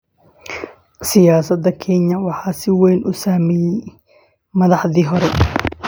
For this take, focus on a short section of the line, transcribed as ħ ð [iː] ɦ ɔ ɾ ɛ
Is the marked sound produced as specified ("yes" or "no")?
yes